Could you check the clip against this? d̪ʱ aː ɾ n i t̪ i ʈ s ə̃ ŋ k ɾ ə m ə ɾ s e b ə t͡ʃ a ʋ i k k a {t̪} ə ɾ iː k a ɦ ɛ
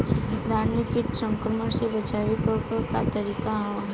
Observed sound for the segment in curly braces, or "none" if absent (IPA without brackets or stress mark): t̪